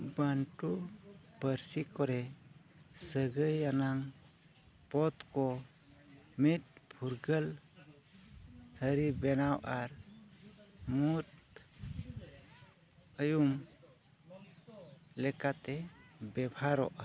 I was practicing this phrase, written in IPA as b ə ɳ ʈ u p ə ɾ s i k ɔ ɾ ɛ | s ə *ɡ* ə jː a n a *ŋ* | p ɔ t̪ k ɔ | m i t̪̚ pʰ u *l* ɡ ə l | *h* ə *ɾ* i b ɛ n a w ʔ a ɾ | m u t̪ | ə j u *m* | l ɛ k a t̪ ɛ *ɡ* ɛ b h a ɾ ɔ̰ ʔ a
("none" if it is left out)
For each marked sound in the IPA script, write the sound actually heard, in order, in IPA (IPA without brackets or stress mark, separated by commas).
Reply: ɡ, ŋ, ɾ, h, ɾ, m, b